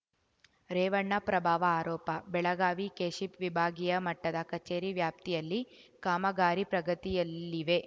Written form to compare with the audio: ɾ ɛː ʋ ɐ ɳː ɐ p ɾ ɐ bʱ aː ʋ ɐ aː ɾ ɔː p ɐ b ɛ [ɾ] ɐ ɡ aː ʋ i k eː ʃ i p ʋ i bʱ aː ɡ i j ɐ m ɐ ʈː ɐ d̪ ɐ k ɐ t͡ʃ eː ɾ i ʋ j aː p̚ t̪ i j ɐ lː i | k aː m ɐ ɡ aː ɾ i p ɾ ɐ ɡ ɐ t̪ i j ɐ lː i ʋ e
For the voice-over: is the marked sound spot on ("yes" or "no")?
no